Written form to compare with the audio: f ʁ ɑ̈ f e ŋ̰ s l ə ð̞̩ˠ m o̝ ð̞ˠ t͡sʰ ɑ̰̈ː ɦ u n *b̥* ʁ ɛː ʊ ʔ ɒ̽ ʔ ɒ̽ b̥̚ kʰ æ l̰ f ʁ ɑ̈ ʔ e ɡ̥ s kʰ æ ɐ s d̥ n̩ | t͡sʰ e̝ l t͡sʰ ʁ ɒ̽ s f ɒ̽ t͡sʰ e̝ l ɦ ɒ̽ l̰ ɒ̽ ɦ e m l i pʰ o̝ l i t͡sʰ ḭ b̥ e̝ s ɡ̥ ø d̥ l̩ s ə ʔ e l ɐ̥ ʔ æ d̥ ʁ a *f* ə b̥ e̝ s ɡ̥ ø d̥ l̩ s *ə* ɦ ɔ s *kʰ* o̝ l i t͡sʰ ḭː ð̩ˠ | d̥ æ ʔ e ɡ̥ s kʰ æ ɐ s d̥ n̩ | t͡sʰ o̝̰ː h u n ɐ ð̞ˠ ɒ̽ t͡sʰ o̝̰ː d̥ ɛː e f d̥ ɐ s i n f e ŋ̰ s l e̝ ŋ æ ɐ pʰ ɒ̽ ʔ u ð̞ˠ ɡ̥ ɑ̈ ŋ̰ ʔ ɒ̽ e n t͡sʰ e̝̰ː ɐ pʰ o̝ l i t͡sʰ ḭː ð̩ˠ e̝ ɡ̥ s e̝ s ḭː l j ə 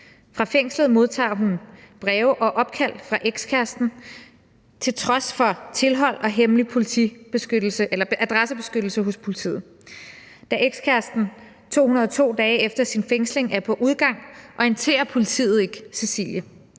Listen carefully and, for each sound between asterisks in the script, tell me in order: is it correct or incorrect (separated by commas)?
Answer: correct, incorrect, correct, incorrect